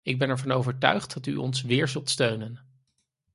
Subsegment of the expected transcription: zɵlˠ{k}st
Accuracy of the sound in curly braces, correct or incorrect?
incorrect